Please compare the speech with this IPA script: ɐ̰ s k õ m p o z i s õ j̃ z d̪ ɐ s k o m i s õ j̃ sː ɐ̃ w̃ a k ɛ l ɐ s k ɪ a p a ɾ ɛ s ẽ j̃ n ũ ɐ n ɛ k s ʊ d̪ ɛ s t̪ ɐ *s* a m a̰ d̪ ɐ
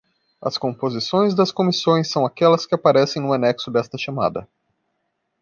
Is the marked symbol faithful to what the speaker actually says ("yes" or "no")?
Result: no